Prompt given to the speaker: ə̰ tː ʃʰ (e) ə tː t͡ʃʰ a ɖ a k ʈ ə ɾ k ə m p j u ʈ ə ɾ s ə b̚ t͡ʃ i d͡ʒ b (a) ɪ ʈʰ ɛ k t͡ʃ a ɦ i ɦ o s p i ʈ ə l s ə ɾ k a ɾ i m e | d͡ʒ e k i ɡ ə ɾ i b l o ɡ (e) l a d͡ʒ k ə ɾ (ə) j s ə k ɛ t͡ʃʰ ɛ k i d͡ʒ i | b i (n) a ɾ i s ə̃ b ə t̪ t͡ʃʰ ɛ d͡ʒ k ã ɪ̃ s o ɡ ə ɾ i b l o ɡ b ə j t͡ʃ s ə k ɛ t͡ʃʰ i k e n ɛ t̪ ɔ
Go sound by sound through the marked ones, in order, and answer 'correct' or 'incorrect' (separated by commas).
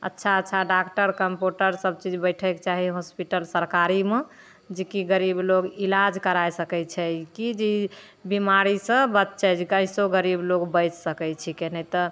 incorrect, incorrect, incorrect, incorrect, incorrect